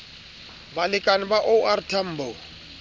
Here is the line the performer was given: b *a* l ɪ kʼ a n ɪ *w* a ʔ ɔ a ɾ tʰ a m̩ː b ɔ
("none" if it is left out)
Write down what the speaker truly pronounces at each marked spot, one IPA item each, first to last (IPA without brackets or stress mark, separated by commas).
a, b